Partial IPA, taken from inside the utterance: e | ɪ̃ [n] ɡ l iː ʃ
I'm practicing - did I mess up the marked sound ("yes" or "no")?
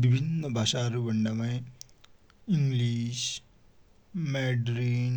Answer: yes